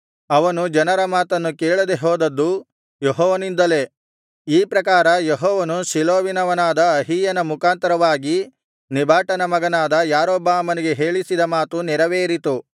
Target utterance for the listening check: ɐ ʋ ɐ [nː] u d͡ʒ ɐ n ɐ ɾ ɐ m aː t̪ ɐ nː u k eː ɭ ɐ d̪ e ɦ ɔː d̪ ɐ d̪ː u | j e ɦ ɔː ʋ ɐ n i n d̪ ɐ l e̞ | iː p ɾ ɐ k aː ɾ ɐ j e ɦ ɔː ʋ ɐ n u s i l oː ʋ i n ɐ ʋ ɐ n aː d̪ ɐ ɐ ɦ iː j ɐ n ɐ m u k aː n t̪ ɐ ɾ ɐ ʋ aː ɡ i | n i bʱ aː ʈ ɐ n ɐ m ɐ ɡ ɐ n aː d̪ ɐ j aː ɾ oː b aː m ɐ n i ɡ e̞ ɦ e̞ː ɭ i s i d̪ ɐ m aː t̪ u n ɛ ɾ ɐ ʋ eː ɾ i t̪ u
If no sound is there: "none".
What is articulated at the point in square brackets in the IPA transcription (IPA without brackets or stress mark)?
n